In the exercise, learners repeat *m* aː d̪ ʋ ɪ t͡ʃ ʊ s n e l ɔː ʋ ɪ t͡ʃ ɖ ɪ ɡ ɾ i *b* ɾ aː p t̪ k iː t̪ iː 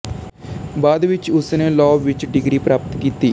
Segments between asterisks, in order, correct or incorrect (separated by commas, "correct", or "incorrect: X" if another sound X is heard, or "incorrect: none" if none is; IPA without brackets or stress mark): incorrect: b, incorrect: p